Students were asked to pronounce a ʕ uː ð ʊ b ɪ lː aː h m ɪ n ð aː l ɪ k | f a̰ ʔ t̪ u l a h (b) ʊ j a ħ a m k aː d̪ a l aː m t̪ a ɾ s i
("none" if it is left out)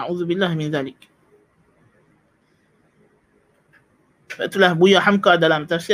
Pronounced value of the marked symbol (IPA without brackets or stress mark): b